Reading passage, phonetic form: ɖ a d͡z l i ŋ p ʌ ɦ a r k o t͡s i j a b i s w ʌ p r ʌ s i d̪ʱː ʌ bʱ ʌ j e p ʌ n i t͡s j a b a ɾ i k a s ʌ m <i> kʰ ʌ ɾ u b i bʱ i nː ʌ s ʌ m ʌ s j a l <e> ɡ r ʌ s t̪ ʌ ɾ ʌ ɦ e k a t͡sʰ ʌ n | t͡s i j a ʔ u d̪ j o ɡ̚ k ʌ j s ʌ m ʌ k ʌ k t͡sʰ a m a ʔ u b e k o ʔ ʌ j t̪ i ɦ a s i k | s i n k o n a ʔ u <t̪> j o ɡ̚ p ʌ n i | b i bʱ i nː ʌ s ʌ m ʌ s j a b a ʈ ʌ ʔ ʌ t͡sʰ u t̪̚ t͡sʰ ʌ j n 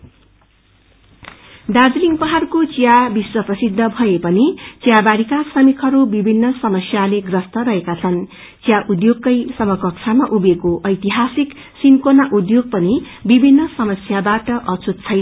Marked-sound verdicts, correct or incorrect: correct, correct, incorrect: d̪

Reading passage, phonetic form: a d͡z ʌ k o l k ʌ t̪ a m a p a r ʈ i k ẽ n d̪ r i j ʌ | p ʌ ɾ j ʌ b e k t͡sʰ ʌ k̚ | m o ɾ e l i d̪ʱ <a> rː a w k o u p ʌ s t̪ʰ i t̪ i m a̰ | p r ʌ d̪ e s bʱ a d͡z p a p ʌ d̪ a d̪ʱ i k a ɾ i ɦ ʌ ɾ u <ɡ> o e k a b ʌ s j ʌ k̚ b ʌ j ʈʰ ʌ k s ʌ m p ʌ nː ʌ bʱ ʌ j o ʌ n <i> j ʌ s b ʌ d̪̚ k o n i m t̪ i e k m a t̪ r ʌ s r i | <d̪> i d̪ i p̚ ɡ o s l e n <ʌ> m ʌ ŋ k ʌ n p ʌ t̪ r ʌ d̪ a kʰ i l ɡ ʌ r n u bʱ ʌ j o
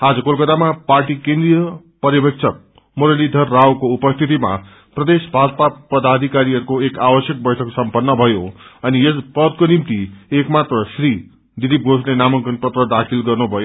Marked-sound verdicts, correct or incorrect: incorrect: ʌ, incorrect: k, correct, correct, incorrect: a

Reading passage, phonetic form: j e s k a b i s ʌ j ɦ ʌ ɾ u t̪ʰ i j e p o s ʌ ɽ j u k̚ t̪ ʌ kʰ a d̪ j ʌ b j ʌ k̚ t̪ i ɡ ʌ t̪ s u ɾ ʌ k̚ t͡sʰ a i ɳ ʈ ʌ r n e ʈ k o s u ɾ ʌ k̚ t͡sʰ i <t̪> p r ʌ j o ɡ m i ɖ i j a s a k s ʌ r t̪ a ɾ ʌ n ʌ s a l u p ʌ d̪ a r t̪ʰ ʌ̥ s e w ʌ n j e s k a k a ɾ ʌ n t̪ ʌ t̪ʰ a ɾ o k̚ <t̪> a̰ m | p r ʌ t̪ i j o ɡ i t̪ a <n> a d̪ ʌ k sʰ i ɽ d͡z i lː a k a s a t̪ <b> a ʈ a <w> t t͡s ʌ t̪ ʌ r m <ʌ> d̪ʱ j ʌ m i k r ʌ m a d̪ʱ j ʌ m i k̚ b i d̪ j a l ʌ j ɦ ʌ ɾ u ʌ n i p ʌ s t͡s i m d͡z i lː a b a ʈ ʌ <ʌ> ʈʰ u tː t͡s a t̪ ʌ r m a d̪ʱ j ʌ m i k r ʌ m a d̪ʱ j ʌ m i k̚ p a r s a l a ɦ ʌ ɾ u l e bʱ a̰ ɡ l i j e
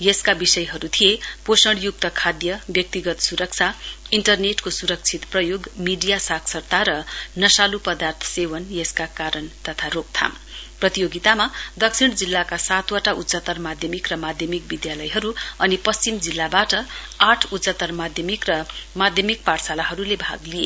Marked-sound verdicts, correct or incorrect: correct, incorrect: t̪ʰ, incorrect: m, incorrect: w, incorrect: u, incorrect: a, incorrect: a

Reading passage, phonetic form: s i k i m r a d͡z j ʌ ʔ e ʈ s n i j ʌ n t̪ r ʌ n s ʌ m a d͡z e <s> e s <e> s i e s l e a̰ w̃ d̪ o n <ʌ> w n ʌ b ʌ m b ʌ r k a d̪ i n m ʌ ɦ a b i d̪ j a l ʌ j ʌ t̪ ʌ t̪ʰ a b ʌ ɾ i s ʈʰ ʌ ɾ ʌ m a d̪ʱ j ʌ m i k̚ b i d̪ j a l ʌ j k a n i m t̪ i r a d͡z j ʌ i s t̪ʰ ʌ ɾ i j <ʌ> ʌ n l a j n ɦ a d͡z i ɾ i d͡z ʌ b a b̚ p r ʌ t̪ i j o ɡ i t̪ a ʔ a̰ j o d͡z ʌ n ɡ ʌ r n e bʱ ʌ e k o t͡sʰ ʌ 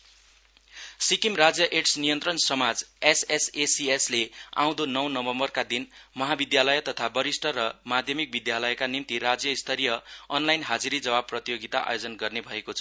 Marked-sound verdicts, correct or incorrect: correct, correct, correct, correct

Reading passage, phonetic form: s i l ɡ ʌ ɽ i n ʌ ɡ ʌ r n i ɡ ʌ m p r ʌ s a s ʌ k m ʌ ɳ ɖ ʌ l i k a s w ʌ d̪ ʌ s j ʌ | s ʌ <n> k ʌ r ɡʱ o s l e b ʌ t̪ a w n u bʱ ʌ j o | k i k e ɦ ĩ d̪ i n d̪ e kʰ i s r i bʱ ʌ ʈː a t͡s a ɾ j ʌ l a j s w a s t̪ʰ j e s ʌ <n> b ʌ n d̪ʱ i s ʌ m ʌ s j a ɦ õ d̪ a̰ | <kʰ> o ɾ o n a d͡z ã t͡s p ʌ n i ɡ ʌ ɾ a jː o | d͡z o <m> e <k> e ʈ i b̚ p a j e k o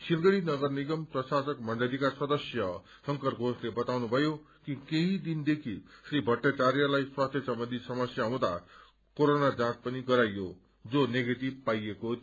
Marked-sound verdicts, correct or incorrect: incorrect: ŋ, incorrect: m, incorrect: k, incorrect: n, incorrect: ɡ

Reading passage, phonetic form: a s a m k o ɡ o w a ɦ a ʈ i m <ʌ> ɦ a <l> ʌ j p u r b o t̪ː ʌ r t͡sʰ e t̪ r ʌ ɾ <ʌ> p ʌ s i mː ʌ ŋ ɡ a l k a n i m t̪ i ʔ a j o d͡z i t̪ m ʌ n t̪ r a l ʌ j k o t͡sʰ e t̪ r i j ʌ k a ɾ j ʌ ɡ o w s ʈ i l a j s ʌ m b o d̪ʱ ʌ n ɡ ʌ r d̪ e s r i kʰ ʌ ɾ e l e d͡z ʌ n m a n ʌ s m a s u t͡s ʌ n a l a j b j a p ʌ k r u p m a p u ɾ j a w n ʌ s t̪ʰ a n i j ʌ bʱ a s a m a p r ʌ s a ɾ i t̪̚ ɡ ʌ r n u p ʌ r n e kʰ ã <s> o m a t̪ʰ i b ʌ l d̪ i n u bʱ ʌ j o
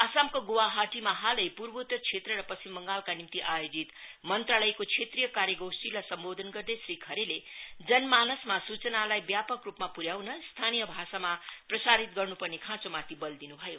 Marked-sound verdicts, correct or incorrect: incorrect: a, correct, correct, incorrect: t͡s

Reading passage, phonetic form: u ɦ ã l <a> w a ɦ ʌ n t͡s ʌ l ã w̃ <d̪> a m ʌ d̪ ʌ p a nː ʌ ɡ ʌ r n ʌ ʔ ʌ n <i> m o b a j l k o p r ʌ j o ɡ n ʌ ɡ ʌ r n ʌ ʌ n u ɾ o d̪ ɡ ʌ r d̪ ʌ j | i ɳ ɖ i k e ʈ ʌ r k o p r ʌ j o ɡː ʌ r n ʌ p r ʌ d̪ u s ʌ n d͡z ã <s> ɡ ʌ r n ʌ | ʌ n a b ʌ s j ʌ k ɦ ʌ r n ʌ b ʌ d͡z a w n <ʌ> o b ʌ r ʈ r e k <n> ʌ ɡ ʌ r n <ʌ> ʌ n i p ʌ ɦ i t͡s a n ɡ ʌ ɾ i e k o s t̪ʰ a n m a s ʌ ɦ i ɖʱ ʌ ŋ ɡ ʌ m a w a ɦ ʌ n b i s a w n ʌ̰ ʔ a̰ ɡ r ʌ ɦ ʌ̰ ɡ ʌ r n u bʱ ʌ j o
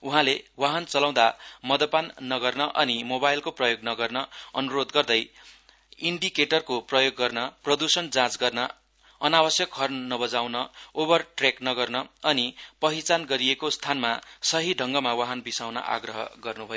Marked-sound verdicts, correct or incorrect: incorrect: e, correct, correct, incorrect: t͡s, correct, correct, correct

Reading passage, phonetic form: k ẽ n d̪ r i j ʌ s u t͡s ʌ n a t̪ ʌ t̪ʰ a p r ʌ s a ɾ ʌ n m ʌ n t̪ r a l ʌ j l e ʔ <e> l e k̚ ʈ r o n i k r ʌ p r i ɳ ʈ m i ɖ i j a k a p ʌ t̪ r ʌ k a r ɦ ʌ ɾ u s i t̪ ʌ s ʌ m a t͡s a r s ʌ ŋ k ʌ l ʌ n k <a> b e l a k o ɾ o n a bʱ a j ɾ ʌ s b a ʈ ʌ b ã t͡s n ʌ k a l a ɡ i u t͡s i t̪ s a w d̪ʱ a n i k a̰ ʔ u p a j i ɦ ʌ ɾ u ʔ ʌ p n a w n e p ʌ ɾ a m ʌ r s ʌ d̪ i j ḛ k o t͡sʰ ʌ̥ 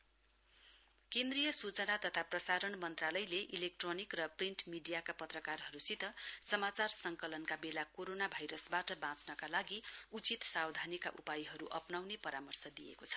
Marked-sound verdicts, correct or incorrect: incorrect: i, correct

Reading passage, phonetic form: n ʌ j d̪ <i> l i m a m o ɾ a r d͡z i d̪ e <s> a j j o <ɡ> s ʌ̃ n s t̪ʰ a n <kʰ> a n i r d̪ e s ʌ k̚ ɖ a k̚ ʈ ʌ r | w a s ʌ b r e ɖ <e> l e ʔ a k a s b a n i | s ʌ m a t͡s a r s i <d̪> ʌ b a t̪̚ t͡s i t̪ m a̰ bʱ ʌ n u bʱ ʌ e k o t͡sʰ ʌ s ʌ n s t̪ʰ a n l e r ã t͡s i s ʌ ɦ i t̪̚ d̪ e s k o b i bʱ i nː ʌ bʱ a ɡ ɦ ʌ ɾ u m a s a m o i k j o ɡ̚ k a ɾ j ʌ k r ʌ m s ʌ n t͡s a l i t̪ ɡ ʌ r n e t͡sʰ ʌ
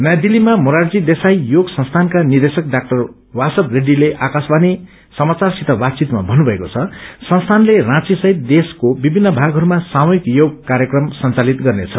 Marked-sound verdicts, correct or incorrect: correct, correct, correct, incorrect: k, incorrect: i, incorrect: t̪

